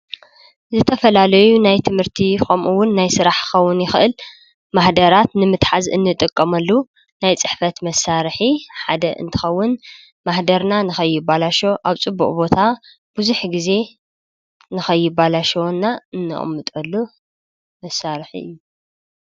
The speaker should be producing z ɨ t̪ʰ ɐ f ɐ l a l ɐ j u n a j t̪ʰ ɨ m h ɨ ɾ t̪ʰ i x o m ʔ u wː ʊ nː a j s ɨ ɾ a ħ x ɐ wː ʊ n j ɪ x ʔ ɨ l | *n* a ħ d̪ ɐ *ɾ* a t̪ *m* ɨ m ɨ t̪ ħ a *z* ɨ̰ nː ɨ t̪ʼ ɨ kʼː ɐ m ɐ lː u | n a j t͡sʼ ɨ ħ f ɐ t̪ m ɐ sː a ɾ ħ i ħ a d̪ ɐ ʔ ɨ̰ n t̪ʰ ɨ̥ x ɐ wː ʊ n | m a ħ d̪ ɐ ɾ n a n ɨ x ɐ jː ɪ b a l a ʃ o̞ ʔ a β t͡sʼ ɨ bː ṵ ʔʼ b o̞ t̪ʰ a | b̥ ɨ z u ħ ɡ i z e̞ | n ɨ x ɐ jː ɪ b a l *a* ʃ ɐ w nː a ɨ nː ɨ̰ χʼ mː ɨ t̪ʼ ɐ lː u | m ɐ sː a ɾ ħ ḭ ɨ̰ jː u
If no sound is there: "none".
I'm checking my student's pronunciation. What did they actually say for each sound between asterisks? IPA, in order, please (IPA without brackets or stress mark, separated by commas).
m, ɾ, n, z, a